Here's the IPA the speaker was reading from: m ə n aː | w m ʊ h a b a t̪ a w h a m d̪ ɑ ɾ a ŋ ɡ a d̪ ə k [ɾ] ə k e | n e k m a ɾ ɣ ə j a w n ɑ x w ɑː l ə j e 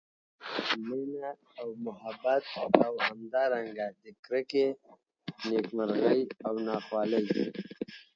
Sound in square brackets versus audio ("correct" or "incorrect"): correct